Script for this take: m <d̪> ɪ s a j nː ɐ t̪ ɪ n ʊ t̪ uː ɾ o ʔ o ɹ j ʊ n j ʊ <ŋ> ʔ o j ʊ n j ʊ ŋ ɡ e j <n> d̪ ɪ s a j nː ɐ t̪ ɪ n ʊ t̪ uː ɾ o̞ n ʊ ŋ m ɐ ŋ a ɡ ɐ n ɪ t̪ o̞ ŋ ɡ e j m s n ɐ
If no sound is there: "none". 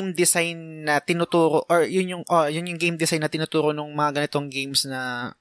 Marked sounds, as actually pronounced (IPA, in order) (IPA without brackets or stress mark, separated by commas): d̪, ŋ, m